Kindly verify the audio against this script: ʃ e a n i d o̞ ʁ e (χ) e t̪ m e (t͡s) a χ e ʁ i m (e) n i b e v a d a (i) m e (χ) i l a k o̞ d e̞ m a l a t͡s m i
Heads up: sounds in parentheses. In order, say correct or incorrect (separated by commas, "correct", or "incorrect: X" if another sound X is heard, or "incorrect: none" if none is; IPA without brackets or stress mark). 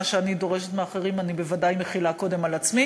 incorrect: ʃ, incorrect: none, incorrect: a, incorrect: j, correct